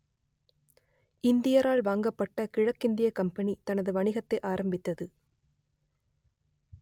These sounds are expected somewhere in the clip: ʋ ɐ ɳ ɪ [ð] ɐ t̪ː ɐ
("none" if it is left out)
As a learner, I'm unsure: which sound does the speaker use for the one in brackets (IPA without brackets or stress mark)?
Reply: ɣ